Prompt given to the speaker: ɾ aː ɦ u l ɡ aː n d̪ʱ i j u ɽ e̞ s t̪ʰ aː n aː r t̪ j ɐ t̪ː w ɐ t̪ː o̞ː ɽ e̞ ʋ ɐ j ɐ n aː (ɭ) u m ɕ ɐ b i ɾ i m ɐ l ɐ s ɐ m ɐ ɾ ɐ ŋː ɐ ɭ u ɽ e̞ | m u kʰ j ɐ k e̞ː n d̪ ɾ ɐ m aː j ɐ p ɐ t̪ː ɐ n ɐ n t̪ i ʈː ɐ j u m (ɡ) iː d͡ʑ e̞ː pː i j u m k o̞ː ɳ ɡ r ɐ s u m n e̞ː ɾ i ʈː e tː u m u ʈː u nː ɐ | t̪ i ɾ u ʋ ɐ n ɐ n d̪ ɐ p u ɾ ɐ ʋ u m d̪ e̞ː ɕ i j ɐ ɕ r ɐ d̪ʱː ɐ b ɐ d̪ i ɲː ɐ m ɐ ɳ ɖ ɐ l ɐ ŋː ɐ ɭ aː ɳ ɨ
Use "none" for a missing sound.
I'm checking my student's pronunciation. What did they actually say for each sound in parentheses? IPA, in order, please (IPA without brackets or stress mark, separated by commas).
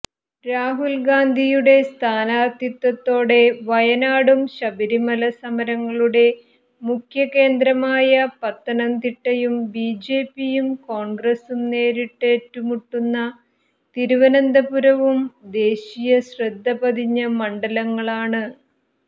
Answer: ɽ, b